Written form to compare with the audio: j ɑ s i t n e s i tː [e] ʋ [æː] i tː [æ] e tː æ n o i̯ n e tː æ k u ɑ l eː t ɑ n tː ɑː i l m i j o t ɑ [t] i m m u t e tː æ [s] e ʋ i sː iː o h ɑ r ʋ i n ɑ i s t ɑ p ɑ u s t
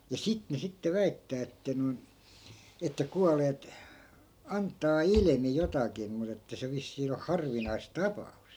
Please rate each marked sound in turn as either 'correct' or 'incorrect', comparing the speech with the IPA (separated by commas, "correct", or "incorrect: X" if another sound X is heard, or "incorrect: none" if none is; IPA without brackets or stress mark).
correct, incorrect: æ, incorrect: æː, incorrect: k, correct